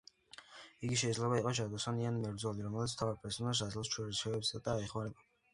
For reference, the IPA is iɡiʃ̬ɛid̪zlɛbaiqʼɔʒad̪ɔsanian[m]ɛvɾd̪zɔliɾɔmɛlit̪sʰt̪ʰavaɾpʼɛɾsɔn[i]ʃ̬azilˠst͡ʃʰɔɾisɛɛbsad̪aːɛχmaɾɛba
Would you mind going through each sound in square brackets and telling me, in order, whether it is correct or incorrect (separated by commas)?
correct, incorrect